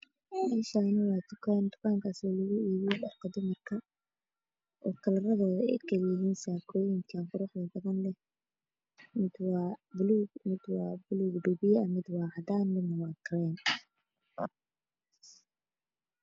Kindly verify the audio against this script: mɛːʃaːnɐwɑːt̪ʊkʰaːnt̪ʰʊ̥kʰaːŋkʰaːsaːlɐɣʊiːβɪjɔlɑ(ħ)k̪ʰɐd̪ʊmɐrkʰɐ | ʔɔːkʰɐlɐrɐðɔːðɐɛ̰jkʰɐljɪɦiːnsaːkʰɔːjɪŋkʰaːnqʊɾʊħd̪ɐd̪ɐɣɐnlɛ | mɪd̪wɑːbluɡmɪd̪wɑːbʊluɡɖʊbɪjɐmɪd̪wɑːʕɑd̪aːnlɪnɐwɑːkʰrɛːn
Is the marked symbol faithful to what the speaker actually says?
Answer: yes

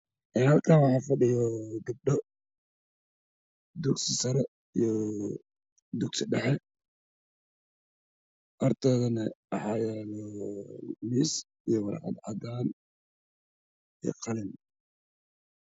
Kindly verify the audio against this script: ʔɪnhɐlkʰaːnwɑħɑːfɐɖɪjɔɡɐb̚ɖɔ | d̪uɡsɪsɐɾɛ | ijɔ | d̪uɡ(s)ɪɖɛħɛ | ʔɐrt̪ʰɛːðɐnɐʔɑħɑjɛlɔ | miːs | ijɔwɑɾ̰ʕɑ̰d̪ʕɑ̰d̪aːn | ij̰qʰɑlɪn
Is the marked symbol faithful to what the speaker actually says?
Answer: yes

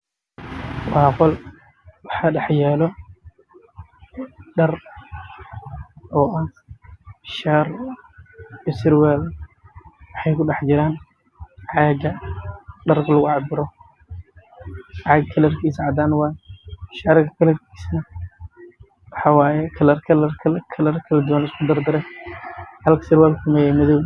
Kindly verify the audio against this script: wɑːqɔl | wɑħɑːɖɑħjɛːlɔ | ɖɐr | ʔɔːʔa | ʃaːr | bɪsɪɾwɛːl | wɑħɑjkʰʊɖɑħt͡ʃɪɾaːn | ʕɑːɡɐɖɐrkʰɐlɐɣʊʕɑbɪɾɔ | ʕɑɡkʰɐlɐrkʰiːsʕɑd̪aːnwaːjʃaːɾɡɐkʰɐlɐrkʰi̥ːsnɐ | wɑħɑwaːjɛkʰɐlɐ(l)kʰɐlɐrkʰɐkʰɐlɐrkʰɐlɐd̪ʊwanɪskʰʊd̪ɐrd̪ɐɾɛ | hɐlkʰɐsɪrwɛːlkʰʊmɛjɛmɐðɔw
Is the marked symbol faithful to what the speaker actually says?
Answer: no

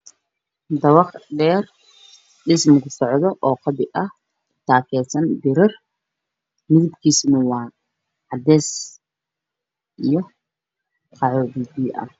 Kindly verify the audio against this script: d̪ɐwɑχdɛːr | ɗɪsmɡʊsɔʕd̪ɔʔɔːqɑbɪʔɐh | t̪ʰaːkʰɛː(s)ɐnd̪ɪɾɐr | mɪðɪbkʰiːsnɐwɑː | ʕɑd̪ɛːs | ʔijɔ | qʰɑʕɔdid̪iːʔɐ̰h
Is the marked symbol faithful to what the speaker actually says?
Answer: yes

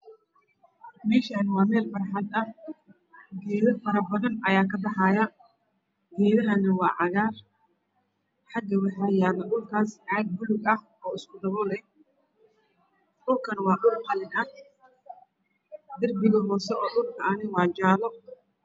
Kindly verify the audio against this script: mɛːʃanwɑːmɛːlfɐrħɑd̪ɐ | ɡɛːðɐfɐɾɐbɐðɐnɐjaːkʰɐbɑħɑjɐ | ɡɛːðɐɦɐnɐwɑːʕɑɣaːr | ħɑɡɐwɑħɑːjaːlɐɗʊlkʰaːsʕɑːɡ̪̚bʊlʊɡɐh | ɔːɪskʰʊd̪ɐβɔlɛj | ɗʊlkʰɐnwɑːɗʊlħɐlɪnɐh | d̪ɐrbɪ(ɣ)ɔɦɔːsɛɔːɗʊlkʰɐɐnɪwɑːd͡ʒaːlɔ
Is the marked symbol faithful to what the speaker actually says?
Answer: yes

